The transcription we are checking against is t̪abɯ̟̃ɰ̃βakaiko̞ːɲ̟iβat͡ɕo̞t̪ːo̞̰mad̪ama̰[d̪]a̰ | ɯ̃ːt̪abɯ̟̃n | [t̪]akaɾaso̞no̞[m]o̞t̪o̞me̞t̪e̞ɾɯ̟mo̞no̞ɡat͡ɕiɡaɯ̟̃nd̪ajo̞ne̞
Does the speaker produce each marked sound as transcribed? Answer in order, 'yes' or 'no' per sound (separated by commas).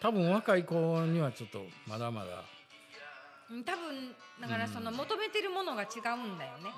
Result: yes, no, yes